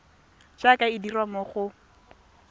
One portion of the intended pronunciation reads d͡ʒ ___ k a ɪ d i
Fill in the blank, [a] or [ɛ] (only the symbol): a